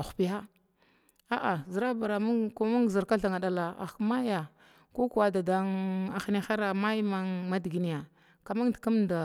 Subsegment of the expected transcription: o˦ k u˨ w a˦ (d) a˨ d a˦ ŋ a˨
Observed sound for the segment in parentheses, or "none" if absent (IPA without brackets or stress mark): d